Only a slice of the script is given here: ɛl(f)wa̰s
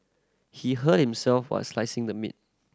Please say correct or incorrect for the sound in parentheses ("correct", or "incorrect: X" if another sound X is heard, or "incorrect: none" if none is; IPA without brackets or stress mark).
correct